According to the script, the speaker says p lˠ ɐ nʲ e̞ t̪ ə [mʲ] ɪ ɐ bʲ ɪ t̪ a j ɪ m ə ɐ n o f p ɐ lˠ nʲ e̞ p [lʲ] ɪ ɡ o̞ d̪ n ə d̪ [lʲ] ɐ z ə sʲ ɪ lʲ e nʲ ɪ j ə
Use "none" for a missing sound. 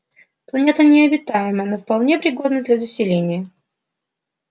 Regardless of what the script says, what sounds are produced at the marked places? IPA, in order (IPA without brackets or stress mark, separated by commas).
nʲ, ɾʲ, lʲ